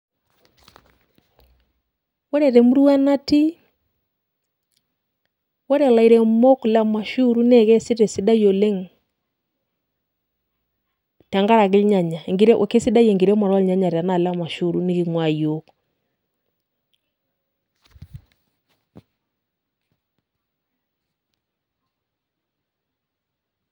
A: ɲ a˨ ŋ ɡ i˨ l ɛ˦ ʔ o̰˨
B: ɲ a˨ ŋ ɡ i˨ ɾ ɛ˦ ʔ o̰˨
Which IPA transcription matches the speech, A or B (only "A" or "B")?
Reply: B